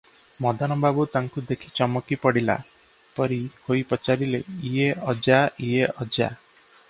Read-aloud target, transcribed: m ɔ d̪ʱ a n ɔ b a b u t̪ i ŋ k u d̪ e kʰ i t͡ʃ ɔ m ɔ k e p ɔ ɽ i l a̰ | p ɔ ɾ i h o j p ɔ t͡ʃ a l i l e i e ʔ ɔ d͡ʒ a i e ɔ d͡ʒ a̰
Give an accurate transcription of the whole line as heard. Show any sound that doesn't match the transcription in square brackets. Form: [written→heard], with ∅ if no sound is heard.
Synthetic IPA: m ɔ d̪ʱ a n ɔ b a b u t̪ [i→a] ŋ k u d̪ e kʰ i t͡ʃ ɔ m ɔ k [e→i] p ɔ ɽ i l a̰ | p ɔ ɾ i h o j p ɔ t͡ʃ a [l→ɾ] i l e i e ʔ ɔ d͡ʒ a i e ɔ d͡ʒ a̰